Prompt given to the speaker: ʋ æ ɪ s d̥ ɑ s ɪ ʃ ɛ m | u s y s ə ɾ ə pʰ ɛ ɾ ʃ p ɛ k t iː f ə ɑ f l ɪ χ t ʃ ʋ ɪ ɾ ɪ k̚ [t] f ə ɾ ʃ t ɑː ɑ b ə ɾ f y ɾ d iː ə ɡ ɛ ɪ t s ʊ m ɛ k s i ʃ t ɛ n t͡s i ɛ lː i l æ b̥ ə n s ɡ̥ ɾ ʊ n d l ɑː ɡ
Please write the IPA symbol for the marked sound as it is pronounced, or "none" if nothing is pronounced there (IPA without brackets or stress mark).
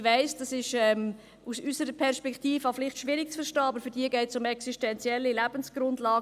t͡s